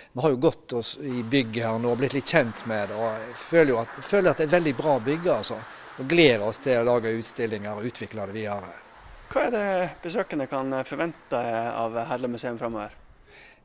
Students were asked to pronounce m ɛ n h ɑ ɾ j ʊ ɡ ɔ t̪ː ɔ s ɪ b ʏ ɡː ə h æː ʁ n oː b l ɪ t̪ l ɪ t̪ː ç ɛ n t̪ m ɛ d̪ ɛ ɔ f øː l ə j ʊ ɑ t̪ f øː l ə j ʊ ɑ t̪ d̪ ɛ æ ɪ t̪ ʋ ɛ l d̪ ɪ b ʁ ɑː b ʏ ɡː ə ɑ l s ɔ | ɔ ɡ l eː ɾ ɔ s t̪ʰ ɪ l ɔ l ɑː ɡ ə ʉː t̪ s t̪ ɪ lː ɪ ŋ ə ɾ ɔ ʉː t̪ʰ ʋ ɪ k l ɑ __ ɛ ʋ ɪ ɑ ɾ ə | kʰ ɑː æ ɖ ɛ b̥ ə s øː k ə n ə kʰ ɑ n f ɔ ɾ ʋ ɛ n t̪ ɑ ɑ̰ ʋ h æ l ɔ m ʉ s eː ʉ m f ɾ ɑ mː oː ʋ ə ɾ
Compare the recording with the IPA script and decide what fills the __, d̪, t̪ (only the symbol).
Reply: d̪